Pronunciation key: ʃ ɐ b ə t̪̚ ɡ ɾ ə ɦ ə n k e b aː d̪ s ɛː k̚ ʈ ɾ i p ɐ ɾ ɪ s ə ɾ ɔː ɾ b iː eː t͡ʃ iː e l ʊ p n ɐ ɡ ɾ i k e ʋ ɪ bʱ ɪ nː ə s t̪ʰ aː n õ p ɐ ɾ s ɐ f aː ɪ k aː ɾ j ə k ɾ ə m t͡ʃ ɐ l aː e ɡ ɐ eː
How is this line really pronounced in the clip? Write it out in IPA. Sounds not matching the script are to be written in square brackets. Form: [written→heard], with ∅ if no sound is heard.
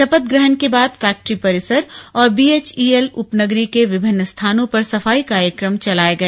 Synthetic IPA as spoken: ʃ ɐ [b→p] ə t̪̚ ɡ ɾ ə ɦ ə n k e b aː d̪ [s→f] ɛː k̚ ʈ ɾ i p ɐ ɾ ɪ s ə ɾ ɔː ɾ b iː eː t͡ʃ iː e l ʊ p n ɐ ɡ ɾ i k e ʋ ɪ bʱ ɪ nː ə s t̪ʰ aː n õ p ɐ ɾ s ɐ f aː [ɪ→i] k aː ɾ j ə k ɾ ə m t͡ʃ ɐ l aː e ɡ ɐ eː